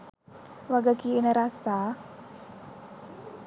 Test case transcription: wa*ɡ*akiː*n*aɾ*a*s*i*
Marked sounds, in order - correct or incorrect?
correct, correct, correct, incorrect

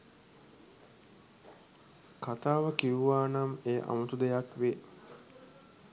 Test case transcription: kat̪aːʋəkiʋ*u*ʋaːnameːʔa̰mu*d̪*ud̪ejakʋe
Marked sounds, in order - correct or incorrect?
correct, incorrect

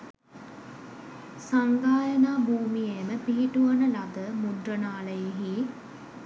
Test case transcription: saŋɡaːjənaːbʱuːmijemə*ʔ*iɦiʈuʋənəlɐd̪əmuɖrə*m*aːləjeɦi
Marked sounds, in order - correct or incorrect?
incorrect, incorrect

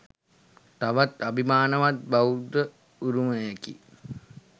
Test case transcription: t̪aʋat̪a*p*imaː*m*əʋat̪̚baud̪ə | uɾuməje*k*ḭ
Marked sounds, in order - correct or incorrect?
incorrect, incorrect, correct

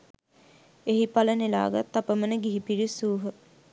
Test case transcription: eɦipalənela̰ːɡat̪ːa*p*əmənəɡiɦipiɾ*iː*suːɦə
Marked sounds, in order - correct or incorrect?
correct, incorrect

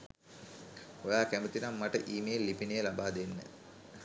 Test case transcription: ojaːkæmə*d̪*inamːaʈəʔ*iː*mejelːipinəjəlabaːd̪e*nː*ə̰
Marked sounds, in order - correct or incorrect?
incorrect, correct, correct

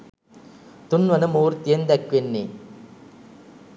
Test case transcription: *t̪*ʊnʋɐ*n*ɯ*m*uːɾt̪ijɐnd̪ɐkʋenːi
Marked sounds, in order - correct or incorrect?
correct, correct, correct

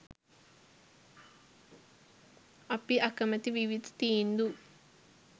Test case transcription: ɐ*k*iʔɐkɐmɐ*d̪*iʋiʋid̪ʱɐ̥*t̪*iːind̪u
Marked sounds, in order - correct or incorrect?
incorrect, incorrect, correct

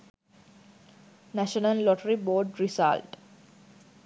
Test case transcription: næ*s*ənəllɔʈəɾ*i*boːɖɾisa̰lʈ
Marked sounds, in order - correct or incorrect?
incorrect, correct

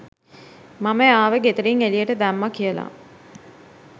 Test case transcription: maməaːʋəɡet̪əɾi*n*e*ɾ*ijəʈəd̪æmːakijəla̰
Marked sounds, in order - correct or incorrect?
incorrect, incorrect

